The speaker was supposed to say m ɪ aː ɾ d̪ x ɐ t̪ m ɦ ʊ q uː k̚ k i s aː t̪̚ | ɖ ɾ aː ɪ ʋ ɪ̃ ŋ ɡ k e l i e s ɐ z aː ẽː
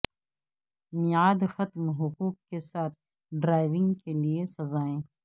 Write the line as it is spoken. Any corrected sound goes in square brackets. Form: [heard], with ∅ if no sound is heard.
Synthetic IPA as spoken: m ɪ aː [∅] d̪ x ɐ t̪ m ɦ ʊ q uː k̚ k [e] s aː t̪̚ | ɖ ɾ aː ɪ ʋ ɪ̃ ŋ ɡ k e l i e s ɐ z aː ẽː